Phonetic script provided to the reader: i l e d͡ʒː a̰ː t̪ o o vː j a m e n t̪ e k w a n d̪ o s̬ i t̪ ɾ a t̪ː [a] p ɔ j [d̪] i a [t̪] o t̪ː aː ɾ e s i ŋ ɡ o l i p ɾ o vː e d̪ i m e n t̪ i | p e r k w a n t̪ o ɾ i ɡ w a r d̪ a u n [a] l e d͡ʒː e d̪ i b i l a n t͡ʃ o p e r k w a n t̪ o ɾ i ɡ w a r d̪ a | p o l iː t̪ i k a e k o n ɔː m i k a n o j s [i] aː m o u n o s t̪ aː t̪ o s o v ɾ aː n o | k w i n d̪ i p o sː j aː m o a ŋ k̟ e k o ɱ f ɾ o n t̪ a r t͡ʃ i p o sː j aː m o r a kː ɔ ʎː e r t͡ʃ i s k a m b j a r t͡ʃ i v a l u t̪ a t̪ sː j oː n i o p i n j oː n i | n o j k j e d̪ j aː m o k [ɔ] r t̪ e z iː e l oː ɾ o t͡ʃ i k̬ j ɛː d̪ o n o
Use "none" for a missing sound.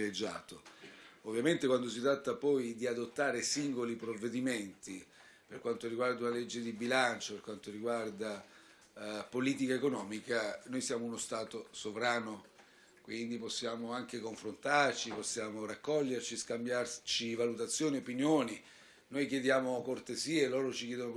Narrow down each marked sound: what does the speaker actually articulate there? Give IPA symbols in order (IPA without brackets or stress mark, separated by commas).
a, d̪, d̪, a, j, o